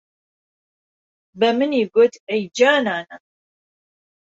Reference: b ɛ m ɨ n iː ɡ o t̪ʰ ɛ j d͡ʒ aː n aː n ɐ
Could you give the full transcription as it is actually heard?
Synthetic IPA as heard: b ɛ m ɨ n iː ɡ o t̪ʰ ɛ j d͡ʒ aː n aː n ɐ